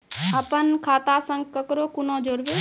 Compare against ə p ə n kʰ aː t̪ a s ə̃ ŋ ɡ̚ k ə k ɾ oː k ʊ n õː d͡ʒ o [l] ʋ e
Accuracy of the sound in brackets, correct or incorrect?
incorrect